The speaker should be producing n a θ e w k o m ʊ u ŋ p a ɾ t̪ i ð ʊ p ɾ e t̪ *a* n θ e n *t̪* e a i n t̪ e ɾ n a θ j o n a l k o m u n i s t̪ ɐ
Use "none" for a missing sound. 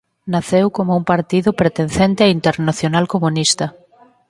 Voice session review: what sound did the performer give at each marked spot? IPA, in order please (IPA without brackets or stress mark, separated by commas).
e, t̪